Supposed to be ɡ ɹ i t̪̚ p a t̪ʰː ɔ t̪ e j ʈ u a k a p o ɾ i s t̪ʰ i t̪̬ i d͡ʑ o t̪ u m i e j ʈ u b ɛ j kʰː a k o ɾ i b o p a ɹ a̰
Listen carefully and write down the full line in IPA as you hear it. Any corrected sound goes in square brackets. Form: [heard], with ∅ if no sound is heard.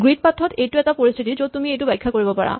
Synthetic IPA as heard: ɡ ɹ i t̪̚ p a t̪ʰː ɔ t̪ e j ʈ u [ɛ] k a p o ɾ i s t̪ʰ i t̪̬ i d͡ʑ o t̪ u m i e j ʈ u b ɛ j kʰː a k o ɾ i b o p a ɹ a̰